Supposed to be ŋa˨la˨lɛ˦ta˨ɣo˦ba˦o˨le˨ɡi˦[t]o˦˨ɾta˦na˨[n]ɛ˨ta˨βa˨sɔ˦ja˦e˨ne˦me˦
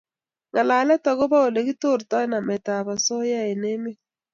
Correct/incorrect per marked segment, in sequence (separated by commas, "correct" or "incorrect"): correct, incorrect